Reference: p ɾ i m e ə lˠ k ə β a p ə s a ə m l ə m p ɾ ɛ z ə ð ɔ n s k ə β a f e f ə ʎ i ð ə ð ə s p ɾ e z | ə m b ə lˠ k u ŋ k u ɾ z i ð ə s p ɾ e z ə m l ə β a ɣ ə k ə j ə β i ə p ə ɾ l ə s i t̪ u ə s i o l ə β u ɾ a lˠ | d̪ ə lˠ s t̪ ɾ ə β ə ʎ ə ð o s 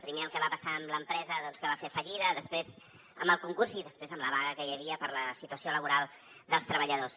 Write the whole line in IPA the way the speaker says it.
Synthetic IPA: p ɾ i m e ə lˠ k ə β a p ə s a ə m l ə m p ɾ ɛ z ə ð ɔ n s k ə β a f e f ə ʎ i ð ə ð ə s p ɾ e z | ə m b ə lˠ k u ŋ k u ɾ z i ð ə s p ɾ e z ə m l ə β a ɣ ə k ə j ə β i ə p ə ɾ l ə s i t̪ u ə s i o l ə β u ɾ a lˠ | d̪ ə lˠ s t̪ ɾ ə β ə ʎ ə ð o s